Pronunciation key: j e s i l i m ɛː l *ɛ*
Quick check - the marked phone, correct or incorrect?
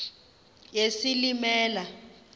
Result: incorrect